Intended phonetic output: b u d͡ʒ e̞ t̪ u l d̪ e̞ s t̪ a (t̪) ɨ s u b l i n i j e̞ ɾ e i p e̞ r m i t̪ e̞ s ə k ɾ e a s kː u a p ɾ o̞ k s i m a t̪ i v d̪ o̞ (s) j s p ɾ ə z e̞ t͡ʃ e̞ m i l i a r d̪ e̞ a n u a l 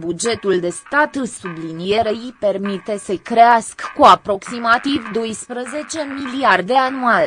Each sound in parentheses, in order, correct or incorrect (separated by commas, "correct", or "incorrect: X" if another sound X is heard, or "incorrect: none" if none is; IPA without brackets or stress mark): correct, incorrect: none